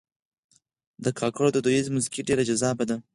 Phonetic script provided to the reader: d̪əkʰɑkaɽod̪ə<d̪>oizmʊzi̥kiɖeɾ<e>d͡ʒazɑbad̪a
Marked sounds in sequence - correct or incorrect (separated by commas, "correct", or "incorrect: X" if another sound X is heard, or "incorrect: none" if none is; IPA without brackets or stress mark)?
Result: correct, incorrect: a